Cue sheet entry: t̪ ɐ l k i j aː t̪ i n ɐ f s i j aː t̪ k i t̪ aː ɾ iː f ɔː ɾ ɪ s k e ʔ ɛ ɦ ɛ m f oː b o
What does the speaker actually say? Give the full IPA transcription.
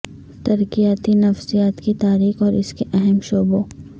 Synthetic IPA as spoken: t̪ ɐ ɾ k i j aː t̪ i n ɐ f s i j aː t̪ k i t̪ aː ɾ iː x ɔː ɾ ɪ s k e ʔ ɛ ɦ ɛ m ʃ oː b o